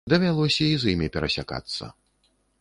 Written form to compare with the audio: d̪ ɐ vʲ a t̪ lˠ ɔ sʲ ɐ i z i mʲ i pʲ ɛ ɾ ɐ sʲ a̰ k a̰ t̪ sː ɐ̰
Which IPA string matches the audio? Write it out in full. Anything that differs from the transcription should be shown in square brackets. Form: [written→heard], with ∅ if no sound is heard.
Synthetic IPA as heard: d̪ ɐ vʲ a [t̪→∅] lˠ ɔ sʲ ɐ i z i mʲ i pʲ ɛ ɾ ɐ sʲ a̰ k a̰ t̪ sː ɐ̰